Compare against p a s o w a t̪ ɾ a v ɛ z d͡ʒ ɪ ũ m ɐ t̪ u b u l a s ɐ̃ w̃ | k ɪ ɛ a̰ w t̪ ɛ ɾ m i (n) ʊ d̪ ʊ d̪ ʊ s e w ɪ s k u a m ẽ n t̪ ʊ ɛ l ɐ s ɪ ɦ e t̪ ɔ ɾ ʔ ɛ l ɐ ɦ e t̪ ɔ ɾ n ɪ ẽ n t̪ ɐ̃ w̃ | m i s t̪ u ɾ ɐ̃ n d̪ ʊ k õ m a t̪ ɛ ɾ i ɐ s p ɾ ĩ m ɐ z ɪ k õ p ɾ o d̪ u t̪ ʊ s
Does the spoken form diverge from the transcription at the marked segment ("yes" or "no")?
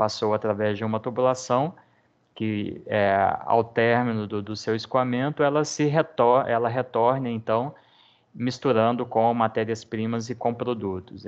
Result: no